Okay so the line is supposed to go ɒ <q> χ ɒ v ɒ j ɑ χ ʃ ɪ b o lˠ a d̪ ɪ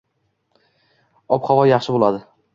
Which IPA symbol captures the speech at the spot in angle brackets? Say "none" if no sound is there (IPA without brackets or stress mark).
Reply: p